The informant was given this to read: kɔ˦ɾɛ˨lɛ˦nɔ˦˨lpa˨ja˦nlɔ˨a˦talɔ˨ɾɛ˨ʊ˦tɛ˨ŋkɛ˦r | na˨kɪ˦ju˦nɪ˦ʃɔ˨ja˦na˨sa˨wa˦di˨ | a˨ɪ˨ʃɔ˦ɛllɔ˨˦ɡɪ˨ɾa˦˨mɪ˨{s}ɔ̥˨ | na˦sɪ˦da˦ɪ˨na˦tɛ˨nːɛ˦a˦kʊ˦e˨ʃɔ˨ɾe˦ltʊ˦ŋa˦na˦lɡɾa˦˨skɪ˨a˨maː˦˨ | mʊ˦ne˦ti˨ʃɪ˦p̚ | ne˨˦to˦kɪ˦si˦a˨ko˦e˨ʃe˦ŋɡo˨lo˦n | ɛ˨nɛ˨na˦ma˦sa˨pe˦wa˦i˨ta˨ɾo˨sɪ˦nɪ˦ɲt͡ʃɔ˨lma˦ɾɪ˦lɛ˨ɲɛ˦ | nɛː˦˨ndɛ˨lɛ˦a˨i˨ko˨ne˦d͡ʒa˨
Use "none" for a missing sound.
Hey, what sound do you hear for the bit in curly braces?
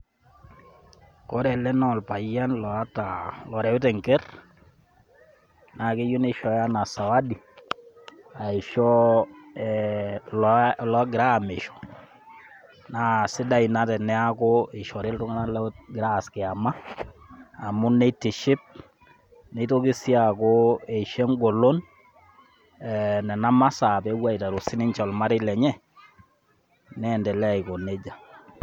ʃ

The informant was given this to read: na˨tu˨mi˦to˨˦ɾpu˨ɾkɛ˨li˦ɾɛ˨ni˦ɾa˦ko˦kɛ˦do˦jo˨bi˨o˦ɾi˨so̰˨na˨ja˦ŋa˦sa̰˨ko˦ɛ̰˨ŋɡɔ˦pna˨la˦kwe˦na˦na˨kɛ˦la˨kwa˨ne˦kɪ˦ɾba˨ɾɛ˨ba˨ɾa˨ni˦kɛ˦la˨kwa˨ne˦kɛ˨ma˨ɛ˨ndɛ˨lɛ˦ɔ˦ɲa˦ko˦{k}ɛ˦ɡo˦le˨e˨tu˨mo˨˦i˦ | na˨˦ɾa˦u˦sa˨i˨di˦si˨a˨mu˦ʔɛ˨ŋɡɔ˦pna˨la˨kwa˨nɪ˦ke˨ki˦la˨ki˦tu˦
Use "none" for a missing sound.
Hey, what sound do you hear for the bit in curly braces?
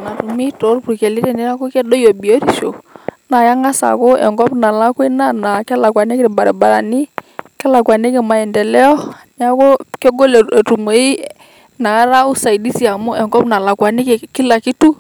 k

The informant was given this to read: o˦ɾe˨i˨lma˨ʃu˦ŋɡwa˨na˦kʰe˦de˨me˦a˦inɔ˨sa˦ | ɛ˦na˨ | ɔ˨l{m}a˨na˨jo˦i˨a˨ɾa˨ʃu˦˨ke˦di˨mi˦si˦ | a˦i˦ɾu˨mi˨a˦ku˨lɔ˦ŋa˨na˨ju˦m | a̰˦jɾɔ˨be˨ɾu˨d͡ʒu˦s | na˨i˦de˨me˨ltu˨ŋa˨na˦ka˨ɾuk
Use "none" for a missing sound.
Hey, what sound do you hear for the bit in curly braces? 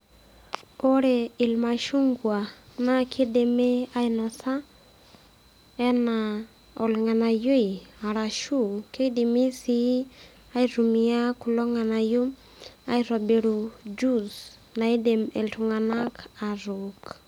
ŋ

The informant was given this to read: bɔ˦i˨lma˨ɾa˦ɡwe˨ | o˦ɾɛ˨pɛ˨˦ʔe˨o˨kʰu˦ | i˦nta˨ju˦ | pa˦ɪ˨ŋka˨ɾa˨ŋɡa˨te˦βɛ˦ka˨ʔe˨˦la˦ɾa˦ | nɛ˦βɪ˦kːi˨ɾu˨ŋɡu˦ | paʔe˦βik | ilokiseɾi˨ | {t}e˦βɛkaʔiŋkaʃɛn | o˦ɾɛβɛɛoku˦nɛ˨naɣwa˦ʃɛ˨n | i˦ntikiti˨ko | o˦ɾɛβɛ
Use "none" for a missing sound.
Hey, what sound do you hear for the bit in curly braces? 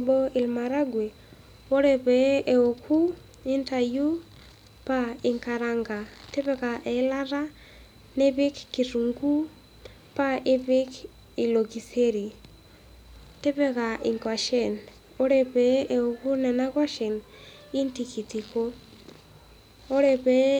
t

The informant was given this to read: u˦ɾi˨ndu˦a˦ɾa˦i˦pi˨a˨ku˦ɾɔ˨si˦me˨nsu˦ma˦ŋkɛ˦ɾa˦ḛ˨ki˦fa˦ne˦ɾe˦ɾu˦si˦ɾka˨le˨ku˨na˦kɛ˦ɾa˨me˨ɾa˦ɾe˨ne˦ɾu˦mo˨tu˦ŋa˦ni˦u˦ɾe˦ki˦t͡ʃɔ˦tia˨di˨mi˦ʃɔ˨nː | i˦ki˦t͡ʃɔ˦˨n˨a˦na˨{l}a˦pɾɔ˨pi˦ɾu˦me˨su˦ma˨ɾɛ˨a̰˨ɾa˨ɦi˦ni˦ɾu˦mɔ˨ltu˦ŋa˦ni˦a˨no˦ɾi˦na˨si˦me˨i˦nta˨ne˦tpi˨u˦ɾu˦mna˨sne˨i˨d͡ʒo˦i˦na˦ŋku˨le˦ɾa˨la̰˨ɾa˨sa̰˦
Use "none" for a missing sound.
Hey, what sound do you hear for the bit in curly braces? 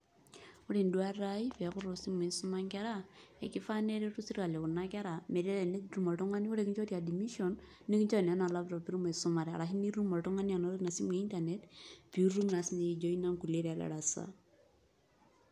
l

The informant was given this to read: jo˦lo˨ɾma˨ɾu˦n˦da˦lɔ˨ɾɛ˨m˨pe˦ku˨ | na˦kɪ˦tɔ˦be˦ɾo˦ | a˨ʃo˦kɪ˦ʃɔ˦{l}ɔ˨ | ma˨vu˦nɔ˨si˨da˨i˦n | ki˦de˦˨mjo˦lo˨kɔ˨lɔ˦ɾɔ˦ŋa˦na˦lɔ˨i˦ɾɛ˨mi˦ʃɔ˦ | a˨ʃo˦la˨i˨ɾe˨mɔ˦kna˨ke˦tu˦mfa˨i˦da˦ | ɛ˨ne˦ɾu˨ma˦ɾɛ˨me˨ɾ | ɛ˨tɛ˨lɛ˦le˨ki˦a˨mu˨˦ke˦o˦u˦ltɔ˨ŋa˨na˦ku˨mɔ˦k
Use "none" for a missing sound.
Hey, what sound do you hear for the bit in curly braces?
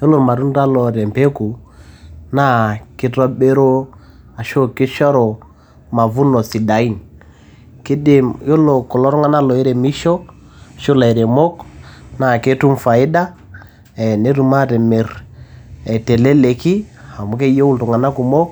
ɾ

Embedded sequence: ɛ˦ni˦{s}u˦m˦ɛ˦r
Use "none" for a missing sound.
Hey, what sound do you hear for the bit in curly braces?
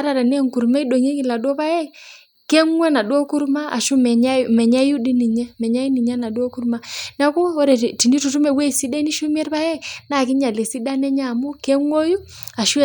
ʃ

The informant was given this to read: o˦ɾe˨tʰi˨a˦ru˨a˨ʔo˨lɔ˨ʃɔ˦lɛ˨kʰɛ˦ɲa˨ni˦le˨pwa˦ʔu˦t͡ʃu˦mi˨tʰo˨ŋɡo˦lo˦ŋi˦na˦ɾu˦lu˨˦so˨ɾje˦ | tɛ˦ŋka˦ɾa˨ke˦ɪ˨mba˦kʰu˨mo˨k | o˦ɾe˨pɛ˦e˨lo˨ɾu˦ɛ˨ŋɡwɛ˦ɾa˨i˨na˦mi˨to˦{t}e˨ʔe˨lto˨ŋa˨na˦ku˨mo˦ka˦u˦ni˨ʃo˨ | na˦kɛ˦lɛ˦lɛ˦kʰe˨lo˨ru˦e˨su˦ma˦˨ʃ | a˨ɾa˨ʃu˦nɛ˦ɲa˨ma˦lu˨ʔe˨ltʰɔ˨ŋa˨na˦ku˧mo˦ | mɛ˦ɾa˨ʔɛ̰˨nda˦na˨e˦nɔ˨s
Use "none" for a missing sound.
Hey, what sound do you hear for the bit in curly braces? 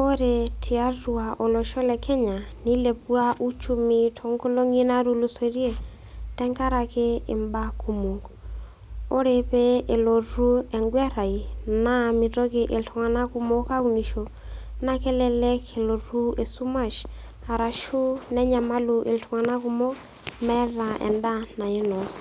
k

